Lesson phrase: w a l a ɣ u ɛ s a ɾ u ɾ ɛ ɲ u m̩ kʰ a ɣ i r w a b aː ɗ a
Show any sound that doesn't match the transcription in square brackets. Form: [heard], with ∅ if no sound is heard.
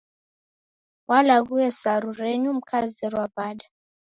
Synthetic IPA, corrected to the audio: w a l a ɣ u ɛ s a ɾ u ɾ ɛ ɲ u m̩ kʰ a [z] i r w a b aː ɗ a